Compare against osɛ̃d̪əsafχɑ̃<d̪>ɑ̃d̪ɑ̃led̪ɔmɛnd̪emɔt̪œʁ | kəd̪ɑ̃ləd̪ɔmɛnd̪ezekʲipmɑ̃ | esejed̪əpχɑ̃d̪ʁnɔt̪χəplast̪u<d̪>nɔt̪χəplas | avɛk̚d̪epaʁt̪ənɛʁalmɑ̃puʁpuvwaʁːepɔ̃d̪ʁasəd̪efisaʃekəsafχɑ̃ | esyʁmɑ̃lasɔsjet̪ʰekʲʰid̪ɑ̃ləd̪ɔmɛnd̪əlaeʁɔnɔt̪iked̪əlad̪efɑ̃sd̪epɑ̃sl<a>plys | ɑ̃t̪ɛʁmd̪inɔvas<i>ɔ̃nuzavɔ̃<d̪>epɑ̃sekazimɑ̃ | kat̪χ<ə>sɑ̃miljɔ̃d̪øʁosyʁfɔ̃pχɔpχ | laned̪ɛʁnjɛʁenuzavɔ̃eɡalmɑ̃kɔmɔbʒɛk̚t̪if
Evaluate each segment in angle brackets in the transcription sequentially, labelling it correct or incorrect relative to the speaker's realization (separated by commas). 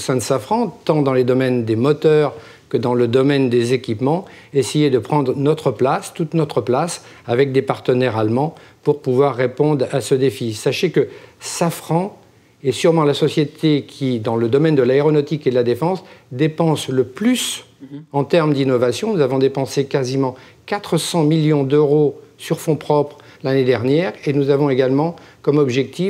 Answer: incorrect, incorrect, incorrect, incorrect, correct, correct